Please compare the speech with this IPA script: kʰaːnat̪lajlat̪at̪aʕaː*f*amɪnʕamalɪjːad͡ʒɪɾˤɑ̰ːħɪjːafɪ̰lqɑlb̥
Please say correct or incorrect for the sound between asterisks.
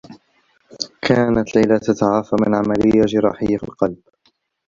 correct